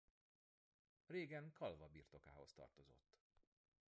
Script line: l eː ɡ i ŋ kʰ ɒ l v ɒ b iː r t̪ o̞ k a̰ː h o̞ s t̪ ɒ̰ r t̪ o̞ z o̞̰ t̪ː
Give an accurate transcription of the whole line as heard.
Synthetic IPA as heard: r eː ɡ ɛ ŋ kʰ ɒ l v ɒ b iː r t̪ o̞ k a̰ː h o̞ s t̪ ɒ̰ r t̪ o̞ z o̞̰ t̪ː